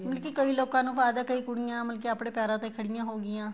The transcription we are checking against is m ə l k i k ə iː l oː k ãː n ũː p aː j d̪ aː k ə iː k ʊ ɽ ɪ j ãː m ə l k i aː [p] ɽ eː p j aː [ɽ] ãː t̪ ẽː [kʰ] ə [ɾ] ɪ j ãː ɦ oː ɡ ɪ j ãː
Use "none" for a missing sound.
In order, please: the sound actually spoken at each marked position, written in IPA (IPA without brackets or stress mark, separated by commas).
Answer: p, ɾ, kʰ, ɽ